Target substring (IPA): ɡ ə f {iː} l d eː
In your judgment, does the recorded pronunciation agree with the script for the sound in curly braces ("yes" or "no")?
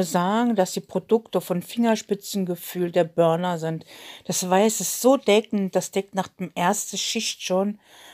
no